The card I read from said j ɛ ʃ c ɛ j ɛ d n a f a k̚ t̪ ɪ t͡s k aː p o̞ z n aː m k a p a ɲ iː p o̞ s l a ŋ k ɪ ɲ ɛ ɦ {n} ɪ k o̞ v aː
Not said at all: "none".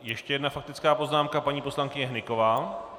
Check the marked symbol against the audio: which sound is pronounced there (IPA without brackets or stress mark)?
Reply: n